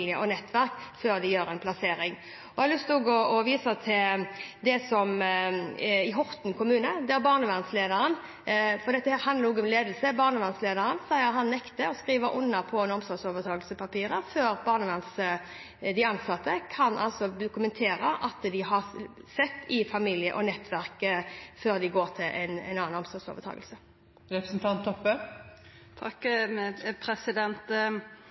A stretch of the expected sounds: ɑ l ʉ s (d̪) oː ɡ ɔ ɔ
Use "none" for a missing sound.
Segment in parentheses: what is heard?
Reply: t̪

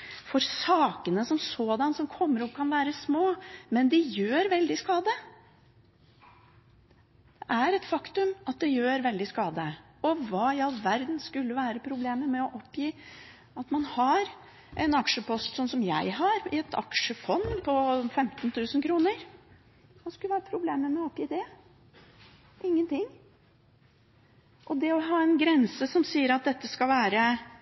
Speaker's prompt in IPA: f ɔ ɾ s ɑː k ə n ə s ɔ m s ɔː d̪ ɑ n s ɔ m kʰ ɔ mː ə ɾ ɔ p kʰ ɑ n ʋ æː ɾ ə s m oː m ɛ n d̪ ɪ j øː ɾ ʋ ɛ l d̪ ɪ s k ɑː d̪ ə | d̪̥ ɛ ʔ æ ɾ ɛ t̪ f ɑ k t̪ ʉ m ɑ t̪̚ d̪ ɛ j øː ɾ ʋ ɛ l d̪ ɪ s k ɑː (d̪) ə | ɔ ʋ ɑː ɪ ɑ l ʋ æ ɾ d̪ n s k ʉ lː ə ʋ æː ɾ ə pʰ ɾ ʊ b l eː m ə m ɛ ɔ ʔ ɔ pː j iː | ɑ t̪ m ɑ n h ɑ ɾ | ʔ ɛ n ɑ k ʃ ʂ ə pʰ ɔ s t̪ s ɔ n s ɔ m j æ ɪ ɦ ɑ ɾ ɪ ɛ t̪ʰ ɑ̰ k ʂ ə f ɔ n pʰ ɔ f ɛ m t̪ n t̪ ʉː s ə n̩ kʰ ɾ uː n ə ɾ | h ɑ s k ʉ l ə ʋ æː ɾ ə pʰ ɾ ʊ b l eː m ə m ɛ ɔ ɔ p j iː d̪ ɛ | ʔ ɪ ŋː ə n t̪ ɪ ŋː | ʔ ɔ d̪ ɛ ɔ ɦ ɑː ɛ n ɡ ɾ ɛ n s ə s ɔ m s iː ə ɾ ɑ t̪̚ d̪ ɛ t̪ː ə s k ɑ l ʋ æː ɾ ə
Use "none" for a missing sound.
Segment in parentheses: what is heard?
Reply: d̪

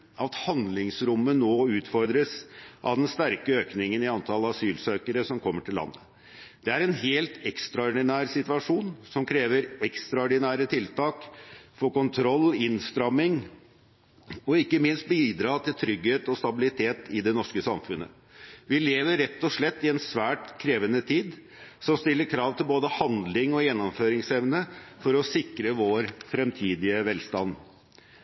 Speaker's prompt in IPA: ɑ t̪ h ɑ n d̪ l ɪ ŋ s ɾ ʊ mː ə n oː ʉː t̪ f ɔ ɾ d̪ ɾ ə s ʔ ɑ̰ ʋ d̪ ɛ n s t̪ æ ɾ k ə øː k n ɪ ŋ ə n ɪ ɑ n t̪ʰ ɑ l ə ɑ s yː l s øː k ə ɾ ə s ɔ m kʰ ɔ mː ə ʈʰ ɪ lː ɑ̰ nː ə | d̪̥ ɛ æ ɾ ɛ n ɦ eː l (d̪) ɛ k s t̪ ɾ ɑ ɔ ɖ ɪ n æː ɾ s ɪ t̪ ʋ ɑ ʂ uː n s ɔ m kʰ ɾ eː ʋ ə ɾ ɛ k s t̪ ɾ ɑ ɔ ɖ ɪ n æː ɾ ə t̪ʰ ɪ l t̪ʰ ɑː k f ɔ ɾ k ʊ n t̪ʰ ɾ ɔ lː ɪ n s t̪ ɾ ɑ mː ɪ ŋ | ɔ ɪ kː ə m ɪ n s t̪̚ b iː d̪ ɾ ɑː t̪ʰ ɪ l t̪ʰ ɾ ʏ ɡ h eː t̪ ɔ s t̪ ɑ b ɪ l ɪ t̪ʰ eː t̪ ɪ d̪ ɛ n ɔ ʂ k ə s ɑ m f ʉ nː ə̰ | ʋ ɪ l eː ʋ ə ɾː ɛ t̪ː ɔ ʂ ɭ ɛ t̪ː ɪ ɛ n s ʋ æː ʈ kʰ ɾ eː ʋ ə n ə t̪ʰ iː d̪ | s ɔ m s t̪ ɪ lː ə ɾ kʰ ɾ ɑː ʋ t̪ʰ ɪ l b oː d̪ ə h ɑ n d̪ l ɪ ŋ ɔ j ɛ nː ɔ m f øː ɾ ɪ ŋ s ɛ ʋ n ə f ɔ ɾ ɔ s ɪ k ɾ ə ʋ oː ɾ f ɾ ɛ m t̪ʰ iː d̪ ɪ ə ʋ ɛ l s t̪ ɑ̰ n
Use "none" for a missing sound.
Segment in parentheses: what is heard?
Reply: t̪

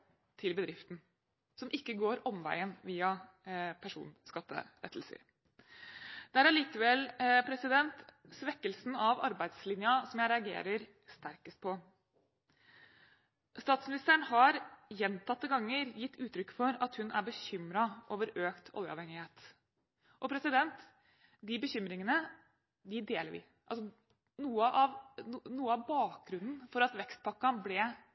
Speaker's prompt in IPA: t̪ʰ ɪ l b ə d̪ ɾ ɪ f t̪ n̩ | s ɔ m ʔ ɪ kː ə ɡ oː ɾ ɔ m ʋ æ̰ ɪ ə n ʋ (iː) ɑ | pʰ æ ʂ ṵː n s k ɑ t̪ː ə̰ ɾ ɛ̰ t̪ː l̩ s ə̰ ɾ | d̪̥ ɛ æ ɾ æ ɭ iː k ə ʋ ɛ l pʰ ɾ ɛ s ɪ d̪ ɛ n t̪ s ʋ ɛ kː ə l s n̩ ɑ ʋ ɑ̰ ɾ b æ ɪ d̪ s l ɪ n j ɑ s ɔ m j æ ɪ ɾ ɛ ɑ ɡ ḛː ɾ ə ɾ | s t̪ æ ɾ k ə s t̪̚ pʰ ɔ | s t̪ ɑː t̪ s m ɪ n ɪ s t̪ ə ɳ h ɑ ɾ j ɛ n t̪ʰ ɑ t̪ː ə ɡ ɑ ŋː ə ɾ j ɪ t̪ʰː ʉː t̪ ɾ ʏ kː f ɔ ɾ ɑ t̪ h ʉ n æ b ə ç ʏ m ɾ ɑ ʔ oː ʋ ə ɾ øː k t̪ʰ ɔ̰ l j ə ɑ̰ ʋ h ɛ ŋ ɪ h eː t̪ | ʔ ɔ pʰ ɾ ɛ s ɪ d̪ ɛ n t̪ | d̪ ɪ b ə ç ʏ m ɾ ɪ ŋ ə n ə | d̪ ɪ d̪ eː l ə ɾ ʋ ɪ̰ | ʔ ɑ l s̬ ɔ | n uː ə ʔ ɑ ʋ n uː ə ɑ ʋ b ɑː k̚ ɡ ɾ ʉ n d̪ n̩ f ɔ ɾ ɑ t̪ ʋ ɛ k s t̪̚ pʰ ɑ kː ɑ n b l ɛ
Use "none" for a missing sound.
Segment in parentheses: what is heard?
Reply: iː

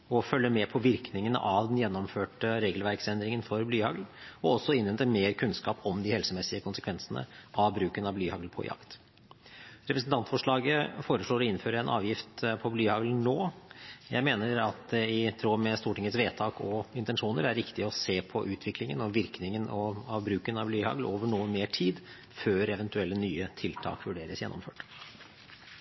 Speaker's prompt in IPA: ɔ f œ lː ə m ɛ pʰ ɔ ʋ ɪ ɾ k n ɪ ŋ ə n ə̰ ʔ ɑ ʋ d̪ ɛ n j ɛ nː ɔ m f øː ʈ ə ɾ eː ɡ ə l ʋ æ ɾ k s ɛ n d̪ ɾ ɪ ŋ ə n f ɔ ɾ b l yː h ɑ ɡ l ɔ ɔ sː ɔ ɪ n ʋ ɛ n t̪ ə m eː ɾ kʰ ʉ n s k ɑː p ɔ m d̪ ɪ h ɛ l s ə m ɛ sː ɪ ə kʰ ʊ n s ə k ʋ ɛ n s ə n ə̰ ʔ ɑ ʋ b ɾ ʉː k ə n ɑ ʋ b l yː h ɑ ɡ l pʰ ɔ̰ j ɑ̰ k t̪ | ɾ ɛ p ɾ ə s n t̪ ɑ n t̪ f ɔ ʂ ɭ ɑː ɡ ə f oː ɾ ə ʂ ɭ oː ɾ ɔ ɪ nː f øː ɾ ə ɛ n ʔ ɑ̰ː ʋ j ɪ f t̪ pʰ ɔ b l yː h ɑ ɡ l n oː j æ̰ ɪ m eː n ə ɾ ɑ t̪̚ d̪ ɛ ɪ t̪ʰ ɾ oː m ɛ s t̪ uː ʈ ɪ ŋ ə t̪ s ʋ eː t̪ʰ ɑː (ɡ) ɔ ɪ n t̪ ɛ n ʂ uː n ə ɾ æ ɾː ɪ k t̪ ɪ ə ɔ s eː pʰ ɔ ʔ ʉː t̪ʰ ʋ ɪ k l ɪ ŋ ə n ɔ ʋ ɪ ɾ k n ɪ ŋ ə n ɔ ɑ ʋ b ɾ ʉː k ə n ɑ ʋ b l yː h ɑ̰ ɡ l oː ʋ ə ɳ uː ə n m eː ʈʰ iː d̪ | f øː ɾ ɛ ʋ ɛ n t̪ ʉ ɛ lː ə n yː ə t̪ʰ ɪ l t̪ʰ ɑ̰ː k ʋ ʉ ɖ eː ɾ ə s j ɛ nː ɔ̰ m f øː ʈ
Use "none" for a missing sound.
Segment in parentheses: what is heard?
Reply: k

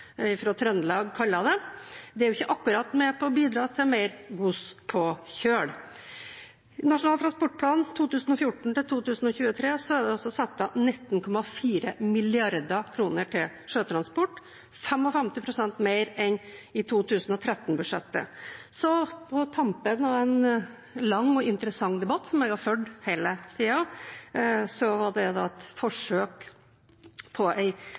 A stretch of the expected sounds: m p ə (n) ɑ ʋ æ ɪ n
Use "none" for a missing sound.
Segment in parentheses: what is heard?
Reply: n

